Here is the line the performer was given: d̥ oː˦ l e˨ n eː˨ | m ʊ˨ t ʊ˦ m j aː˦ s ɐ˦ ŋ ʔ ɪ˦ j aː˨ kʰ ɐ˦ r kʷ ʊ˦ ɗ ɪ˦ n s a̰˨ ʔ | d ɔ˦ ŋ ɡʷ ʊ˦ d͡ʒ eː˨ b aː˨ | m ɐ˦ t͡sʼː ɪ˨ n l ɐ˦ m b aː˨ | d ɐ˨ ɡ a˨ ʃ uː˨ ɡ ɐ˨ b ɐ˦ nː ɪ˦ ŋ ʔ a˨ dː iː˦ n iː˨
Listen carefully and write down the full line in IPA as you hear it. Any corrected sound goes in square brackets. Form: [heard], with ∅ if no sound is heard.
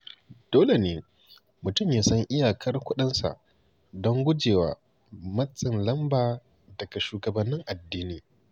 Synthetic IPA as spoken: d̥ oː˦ l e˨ n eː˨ | m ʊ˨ t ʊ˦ m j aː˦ s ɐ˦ ŋ ʔ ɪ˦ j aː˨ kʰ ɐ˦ r kʷ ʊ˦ ɗ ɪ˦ n s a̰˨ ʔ | d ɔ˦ ŋ ɡʷ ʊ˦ d͡ʒ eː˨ [w] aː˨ | m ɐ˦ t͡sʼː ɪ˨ n l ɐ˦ m b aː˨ | d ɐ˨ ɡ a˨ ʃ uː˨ ɡ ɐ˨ b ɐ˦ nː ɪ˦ ŋ ʔ a˨ dː iː˦ n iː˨